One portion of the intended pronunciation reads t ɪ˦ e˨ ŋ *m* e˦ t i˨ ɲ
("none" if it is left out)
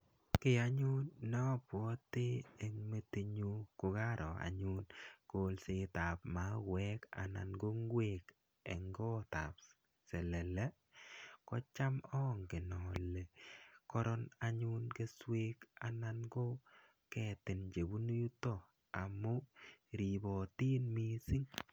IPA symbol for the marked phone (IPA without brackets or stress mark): m